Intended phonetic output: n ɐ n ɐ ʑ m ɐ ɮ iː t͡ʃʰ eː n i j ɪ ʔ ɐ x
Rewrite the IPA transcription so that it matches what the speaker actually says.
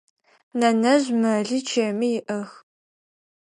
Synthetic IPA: n ɐ n ɐ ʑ m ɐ ɮ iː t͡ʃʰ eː m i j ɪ ʔ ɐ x